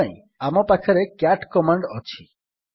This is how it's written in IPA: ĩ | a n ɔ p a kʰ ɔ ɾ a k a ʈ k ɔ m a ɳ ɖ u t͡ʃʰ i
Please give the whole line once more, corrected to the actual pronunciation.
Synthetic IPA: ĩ | a m ɔ p a kʰ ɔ ɾ e k a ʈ k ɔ m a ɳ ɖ ɔ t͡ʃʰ i